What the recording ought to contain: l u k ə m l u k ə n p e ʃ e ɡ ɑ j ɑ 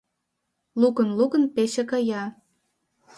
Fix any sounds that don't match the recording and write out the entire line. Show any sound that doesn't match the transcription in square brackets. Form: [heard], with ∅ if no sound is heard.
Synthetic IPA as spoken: l u k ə [n] l u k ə n p e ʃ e [k] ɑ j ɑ